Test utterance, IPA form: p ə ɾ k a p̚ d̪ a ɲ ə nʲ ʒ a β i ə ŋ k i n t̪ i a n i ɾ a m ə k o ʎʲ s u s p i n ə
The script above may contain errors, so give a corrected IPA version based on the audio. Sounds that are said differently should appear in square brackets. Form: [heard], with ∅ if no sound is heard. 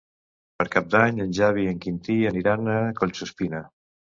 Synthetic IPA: p ə ɾ k a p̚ d̪ a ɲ ə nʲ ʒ a β i ə ŋ k i n t̪ i [ə] n i ɾ a [n] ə k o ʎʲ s u s p i n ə